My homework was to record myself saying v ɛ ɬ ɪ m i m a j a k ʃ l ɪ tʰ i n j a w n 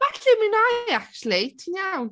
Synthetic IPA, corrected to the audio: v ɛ ɬ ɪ m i n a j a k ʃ l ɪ tʰ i n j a w n